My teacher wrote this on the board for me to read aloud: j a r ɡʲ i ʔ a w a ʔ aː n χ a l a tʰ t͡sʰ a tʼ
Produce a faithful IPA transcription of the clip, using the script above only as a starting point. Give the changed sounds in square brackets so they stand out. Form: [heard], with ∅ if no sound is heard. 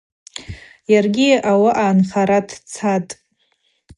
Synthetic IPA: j a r ɡʲ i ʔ a w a ʔ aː n χ a [ɾ] a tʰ t͡sʰ a tʼ